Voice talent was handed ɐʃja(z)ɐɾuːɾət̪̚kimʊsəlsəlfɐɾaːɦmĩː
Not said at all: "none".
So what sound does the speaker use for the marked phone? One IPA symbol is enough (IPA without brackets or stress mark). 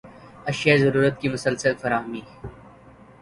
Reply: z